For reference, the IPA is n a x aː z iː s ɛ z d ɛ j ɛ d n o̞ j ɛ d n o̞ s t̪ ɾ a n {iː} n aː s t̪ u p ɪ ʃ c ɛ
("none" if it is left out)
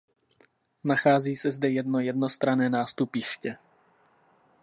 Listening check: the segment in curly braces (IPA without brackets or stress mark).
ɛː